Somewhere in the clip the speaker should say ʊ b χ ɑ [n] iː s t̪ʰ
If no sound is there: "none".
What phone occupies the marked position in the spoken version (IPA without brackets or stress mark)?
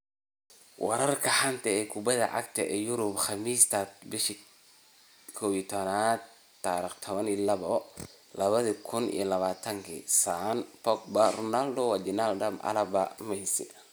m